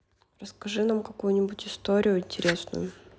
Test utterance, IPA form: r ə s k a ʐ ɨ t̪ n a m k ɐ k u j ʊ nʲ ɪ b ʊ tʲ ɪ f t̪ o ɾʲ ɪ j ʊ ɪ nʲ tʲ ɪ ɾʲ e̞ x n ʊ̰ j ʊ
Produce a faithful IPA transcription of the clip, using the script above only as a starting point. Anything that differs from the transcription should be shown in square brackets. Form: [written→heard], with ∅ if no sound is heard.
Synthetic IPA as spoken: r ə s k [a→ɐ] ʐ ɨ [t̪→∅] n a m k ɐ k u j ʊ nʲ ɪ b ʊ tʲ ɪ [f→s] t̪ o ɾʲ ɪ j ʊ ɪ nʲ tʲ ɪ ɾʲ e̞ [x→s] n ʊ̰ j ʊ